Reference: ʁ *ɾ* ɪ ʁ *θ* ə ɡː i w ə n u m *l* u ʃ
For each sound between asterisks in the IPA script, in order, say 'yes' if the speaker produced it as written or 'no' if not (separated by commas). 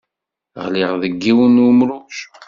no, no, no